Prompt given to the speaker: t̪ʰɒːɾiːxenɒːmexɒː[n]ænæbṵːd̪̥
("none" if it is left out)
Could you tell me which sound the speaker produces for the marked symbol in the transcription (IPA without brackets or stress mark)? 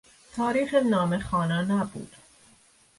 n